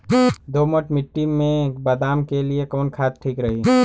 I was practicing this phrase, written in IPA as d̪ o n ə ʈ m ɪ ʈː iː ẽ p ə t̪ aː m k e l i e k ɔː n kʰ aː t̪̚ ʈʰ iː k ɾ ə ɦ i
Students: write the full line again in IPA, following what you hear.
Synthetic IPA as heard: d̪ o m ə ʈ m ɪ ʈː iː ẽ b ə d̪ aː m k e l i e k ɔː n kʰ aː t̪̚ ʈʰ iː k ɾ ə ɦ i